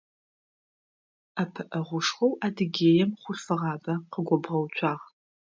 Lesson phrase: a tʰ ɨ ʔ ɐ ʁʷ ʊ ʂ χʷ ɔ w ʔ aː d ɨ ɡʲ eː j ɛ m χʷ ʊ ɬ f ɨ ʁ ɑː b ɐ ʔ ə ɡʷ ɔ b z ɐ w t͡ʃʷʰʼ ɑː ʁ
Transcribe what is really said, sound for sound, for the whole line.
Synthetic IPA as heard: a pʰ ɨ ʔ ɐ ʁʷ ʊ ʂ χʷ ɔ w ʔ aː d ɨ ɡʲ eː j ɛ m χʷ ʊ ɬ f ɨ ʁ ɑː b ɐ q ə ɡʷ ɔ b ʁ ɐ w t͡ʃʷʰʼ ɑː ʁ